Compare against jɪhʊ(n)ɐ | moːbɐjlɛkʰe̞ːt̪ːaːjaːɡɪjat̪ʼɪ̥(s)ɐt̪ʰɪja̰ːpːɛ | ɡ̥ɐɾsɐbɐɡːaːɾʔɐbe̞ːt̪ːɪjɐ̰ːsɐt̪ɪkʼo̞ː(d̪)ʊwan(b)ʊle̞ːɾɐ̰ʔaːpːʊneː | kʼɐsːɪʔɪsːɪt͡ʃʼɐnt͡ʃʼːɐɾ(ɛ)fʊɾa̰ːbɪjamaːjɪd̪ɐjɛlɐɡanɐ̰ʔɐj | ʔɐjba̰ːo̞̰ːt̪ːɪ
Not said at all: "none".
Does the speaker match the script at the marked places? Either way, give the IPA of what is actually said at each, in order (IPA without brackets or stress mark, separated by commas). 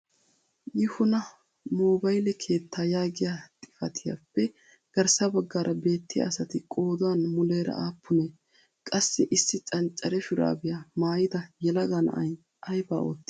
n, f, d̪, m, ɛ